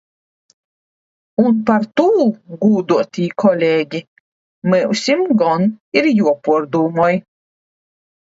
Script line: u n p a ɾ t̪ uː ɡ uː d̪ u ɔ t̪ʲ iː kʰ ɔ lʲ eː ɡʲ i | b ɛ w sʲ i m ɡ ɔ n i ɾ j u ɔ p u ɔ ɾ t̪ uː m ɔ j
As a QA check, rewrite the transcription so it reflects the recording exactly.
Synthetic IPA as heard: u n p a ɾ t̪ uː ɡ uː d̪ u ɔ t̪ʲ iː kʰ ɔ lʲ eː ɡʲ i | m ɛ w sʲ i m ɡ ɔ n i ɾ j u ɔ p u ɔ ɾ d̪ uː m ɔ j